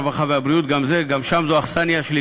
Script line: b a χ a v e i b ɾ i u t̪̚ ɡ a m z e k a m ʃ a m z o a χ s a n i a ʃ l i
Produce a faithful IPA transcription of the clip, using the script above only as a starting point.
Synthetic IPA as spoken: v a χ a v e a b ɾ i u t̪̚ ɡ a m z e ɡ a m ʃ a m z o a χ s a n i a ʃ l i